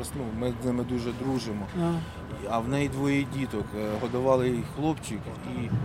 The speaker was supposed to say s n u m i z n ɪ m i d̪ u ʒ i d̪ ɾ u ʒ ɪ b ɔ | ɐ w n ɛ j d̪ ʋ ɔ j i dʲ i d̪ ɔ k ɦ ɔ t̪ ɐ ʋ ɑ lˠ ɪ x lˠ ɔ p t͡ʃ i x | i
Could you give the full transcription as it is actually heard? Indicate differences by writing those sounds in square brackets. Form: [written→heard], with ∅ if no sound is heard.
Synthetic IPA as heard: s n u m [i→ɪ] z n ɪ m [i→ɪ] d̪ u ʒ [i→ɛ] d̪ ɾ u ʒ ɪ [b→m] ɔ | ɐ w n ɛ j d̪ ʋ ɔ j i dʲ i [d̪→t̪] ɔ k ɦ ɔ [t̪→d̪] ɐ ʋ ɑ lˠ ɪ x lˠ ɔ p t͡ʃ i [x→k] | i